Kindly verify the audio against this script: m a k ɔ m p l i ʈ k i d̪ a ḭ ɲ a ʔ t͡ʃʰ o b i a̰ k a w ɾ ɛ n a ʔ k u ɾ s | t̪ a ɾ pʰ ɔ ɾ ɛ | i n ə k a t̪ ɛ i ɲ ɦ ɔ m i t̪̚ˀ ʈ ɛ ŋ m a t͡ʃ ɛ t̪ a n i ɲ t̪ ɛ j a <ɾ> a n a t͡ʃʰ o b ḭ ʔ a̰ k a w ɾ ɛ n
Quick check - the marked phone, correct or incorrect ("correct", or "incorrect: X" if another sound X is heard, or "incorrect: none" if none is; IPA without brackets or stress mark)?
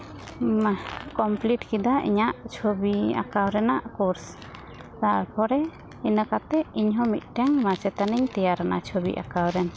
correct